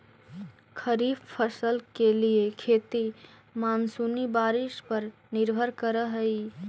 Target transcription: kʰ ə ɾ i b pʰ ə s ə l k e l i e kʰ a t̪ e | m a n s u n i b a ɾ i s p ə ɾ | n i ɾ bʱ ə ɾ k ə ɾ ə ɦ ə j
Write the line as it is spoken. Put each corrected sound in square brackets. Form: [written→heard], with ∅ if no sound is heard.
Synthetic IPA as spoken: kʰ ə ɾ i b pʰ ə s ə l k e l i e kʰ [a→e] t̪ [e→i] | m a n s u n i b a ɾ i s p ə ɾ | n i ɾ bʱ ə ɾ k ə ɾ ə ɦ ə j